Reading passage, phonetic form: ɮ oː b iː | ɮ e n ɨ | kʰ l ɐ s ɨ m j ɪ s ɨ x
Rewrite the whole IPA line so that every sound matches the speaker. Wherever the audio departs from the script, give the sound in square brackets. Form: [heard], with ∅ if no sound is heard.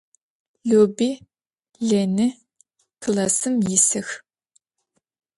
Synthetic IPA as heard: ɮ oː b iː | ɮ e n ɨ | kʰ l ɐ s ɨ m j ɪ s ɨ x